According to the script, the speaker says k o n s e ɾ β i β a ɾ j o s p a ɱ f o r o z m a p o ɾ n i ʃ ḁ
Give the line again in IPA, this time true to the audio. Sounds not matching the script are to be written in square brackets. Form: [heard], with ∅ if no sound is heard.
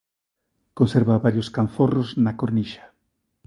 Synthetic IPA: k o n s e ɾ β [a] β a ɾ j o s [k] a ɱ f o r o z [n] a [k] o ɾ n i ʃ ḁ